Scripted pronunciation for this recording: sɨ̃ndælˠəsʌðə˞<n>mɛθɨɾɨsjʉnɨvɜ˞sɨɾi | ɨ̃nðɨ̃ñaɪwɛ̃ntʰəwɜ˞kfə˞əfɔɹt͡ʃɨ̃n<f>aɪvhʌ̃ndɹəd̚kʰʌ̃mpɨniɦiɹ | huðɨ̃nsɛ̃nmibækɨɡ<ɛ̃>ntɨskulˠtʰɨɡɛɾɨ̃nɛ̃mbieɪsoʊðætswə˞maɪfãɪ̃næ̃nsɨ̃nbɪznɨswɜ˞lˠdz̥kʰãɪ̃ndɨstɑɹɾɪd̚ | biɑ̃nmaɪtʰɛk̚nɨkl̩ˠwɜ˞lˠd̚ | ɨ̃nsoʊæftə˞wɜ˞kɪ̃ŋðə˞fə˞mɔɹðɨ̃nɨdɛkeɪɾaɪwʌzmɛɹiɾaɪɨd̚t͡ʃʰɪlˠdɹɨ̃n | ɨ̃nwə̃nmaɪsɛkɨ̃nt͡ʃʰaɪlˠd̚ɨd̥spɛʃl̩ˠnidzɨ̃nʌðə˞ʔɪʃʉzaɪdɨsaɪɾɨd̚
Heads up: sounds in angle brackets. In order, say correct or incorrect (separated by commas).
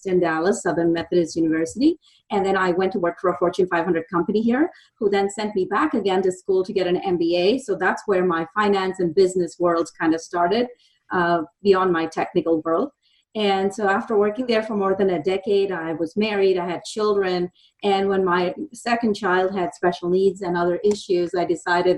correct, correct, correct